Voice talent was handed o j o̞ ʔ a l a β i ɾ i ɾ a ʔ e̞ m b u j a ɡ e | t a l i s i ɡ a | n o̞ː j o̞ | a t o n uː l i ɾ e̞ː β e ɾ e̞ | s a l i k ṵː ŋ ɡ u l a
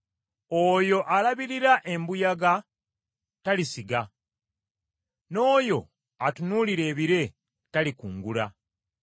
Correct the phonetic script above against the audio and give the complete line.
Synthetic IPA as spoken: o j o̞ ʔ a l a β i ɾ i ɾ a ʔ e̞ m b u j a ɡ a | t a l i s i ɡ a | n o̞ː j o̞ | a t u n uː l i ɾ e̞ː β i ɾ e̞ | t a l i k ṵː ŋ ɡ u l a

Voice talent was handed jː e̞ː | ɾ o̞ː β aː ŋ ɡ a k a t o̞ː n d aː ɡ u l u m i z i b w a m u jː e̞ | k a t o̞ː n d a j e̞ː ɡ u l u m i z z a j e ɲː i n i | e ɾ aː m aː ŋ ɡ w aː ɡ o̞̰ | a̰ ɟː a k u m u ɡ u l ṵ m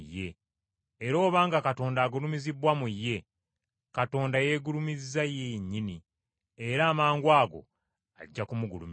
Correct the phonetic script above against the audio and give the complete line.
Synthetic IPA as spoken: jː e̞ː | ɾ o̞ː β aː ŋ ɡ a k a t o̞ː n d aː ɡ u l u m i z i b w a m u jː e̞ | k a t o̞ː n d a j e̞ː ɡ u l u m i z z a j e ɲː i n i | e ɾ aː m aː ŋ ɡ w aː ɡ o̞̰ | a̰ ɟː a k u m u ɡ u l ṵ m

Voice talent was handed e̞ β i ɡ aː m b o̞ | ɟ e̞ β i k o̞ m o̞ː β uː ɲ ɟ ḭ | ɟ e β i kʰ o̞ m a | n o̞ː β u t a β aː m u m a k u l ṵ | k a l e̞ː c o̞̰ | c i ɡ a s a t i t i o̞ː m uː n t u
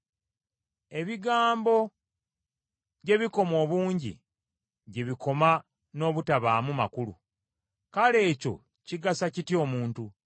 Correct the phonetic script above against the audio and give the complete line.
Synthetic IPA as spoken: e̞ β i ɡ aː m b o̞ | ɟ e̞ β i k o̞ m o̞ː β uː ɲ ɟ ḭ | ɟ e β i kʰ o̞ m a | n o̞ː β u t a β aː m u m a k u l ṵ | k a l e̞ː c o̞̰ | c i ɡ a s a c i t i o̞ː m uː n t u

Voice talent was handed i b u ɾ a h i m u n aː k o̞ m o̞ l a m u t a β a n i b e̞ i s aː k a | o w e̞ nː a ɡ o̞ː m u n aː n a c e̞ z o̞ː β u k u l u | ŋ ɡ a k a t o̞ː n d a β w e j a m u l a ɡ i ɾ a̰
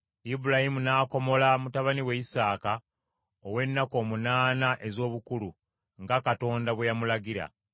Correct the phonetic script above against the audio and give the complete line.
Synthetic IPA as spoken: i b u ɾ a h i m u n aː k o̞ m o̞ l a m u t a β a n i w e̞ i s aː k a | o w e̞ nː a k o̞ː m u n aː n a ʔ e̞ z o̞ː β u k u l u | ŋ ɡ a k a t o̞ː n d a β w e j a m u l a ɡ i ɾ a̰

